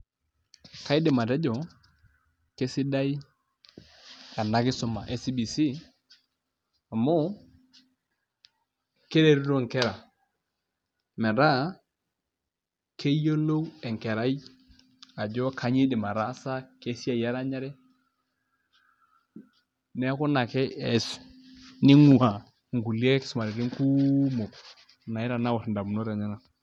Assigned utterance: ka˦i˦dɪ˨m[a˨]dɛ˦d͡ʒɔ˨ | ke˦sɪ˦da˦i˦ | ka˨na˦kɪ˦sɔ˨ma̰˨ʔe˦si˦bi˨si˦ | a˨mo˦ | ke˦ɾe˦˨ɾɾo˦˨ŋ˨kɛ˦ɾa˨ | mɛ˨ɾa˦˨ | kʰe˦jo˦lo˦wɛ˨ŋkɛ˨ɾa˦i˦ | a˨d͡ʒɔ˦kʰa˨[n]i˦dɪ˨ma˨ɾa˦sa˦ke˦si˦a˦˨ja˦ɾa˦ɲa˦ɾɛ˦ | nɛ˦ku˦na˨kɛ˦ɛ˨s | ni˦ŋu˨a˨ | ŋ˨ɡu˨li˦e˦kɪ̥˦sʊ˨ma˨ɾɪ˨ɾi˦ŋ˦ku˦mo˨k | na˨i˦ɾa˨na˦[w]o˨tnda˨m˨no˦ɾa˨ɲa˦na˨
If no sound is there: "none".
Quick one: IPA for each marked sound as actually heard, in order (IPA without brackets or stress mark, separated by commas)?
a˨, ɲ, w